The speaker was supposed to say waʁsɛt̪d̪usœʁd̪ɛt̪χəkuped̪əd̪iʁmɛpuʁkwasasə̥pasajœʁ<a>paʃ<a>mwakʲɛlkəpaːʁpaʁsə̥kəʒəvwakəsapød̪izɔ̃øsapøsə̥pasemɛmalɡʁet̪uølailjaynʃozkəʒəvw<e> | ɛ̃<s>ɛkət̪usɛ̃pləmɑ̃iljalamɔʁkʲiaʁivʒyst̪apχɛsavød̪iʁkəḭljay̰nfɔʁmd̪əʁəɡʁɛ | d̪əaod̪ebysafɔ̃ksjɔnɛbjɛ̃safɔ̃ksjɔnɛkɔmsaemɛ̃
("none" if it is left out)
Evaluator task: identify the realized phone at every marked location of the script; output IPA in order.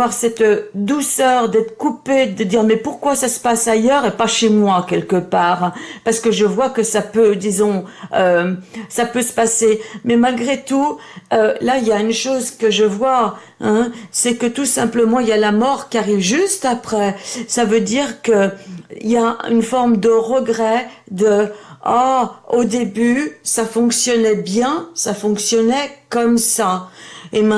e, e, a, s

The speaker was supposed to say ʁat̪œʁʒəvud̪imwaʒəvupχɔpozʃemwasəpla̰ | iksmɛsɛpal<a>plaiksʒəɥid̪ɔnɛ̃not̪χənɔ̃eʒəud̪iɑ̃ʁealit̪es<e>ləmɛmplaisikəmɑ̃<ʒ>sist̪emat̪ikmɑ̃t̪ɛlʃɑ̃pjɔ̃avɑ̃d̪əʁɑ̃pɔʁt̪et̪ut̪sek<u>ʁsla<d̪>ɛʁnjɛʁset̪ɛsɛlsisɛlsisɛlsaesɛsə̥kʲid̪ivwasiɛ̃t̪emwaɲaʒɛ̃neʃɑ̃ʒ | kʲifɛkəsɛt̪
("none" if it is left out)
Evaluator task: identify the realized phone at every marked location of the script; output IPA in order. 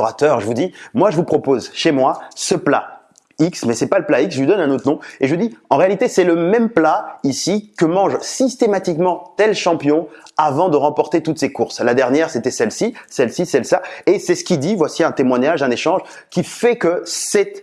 ə, ɛ, ʒ, u, d̪

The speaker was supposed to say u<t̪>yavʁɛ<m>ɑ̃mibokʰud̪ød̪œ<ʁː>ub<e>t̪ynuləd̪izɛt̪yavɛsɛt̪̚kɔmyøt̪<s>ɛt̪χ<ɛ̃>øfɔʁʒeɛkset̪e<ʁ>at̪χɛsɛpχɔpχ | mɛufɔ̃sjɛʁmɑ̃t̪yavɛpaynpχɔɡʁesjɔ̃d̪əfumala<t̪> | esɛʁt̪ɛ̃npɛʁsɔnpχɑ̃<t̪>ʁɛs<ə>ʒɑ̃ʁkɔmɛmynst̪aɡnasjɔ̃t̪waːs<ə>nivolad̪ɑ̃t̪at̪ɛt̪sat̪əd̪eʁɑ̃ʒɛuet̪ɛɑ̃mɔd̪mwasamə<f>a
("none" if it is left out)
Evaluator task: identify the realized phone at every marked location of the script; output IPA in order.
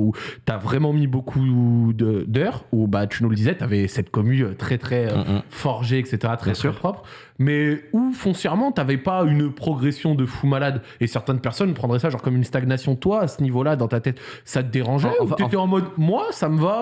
t̪, m, ʁ, a, χ, ɛ, ʁ, d̪, d̪, a, ə, v

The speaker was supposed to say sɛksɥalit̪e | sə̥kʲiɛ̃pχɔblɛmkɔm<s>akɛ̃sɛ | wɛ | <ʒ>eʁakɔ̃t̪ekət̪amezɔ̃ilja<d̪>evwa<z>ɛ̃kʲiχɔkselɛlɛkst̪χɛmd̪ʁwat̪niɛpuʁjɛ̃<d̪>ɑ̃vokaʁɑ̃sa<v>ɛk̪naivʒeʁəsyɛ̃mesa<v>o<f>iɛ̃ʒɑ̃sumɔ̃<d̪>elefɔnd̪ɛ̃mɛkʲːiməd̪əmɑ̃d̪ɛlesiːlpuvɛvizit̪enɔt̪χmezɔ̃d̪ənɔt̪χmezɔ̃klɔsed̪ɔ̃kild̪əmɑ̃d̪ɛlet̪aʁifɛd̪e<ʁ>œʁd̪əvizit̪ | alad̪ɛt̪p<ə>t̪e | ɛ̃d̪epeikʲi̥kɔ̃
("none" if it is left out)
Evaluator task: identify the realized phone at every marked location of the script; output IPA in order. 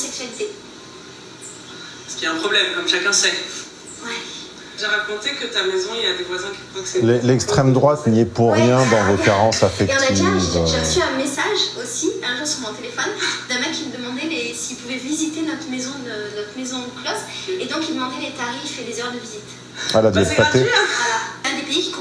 ʃ, ʒ, d̪, z, d̪, f, ʒ, s, t̪, z, a

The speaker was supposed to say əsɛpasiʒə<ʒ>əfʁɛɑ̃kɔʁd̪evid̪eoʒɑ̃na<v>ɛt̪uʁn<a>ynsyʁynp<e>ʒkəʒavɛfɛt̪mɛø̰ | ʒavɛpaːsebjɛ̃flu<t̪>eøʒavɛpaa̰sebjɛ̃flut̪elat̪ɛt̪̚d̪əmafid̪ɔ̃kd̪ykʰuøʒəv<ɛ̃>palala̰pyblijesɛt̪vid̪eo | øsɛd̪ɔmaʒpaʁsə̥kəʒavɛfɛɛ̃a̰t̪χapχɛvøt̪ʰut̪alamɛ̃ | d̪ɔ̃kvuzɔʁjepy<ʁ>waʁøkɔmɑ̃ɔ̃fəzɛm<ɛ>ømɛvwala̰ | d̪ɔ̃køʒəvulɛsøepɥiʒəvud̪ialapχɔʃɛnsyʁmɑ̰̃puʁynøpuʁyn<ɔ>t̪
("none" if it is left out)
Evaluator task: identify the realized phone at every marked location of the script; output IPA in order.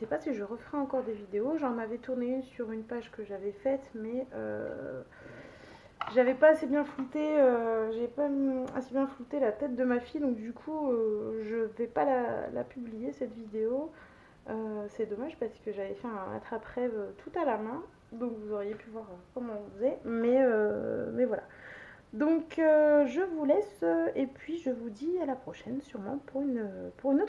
ʁ, v, e, a, t̪, ɛ, v, ɛ, o

